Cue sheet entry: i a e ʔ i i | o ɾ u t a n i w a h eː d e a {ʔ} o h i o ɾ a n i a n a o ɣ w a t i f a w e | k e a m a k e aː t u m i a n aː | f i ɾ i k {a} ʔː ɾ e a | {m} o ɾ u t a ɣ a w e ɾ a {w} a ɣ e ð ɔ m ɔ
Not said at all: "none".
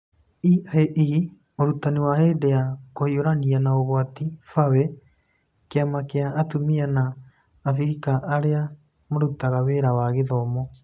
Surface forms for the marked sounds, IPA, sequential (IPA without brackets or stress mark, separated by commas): k, a, m, w